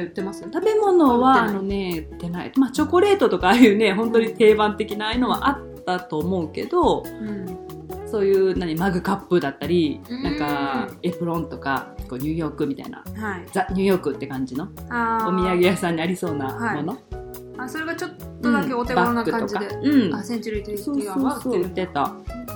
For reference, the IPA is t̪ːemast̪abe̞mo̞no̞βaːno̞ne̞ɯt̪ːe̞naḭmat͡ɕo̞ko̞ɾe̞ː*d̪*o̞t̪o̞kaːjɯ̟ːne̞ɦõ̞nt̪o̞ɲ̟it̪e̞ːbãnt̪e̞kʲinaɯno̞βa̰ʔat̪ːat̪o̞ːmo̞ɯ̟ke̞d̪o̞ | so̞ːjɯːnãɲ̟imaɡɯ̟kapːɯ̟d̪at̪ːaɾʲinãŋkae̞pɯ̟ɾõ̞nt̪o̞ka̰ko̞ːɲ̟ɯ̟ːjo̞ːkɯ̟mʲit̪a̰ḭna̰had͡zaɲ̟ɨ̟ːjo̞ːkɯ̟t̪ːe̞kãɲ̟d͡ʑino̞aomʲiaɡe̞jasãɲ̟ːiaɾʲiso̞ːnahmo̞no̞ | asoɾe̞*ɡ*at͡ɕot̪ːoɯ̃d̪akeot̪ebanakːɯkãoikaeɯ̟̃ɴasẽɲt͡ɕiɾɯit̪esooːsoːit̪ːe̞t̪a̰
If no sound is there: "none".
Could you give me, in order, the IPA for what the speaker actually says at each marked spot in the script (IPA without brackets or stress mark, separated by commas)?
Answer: t̪, ɡ